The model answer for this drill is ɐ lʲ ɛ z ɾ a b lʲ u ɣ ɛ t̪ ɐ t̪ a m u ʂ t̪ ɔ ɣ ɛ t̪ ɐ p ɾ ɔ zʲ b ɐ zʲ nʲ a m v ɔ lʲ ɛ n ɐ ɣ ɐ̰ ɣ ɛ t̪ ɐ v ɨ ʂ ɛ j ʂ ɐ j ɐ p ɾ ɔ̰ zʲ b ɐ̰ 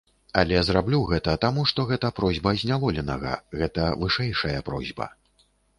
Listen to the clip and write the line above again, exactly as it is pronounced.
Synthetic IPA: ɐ lʲ ɛ z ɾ a b lʲ u ɣ ɛ t̪ ɐ t̪ a m u ʂ t̪ ɔ ɣ ɛ t̪ ɐ p ɾ ɔ zʲ b ɐ zʲ nʲ a v ɔ lʲ ɛ n ɐ ɣ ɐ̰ ɣ ɛ t̪ ɐ v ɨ ʂ ɛ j ʂ ɐ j ɐ p ɾ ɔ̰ zʲ b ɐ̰